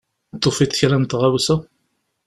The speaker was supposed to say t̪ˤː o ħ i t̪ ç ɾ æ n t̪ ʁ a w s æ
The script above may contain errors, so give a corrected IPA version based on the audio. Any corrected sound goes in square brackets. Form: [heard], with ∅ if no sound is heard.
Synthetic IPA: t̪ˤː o [f] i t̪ ç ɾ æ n t̪ ʁ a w s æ